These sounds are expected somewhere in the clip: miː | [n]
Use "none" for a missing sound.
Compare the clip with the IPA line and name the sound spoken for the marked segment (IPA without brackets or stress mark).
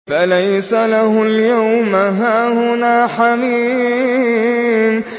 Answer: m